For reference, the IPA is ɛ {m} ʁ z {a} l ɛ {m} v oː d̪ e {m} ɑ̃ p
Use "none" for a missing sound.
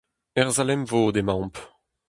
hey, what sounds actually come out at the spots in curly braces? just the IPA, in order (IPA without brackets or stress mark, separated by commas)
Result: none, a, m, m